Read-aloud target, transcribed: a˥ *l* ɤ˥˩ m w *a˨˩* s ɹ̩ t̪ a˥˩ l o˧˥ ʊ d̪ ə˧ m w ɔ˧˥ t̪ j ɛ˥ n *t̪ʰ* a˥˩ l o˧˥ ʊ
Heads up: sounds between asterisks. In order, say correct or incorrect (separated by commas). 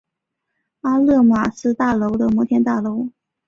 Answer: correct, correct, incorrect